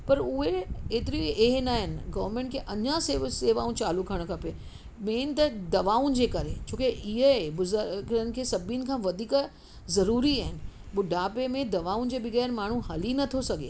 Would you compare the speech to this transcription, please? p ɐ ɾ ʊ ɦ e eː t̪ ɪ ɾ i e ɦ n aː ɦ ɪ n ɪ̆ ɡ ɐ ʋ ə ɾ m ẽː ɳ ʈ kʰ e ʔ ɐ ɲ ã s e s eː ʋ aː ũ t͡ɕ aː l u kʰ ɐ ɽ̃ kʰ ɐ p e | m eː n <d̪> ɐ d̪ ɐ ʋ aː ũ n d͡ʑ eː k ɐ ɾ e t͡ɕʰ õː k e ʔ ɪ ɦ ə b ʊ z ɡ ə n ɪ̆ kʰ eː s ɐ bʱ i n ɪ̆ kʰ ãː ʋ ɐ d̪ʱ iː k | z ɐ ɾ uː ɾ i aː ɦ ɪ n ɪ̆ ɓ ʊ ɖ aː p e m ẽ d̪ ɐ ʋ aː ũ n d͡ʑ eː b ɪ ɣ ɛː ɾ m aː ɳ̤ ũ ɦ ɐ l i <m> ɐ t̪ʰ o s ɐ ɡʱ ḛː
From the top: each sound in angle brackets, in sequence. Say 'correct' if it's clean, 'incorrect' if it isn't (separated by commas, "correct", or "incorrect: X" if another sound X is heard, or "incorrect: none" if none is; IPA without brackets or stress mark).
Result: incorrect: t̪, incorrect: n